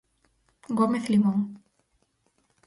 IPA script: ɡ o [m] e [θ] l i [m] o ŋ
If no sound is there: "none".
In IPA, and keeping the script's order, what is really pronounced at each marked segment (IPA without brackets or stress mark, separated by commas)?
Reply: m, θ, m